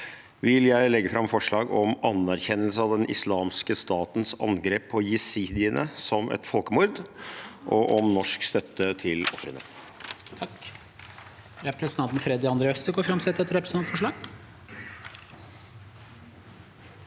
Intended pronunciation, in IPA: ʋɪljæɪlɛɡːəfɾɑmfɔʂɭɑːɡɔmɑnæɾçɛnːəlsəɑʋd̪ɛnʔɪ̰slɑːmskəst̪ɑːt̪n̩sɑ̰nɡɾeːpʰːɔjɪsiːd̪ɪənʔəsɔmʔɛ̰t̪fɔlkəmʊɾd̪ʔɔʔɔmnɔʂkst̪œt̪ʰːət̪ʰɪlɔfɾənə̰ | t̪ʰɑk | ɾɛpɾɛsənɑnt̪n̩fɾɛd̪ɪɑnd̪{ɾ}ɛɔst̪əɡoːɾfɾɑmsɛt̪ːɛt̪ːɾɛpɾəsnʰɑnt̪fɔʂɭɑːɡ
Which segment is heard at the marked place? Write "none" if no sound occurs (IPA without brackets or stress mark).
ɾ